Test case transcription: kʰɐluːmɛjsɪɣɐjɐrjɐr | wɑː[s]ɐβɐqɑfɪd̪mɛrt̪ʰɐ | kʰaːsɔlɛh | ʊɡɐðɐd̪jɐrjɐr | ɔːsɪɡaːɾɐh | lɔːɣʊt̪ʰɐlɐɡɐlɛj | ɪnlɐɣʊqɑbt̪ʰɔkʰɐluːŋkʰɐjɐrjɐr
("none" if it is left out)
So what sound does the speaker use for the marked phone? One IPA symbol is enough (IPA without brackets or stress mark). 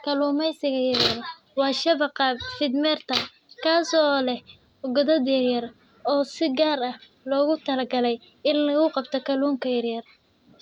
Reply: ʃ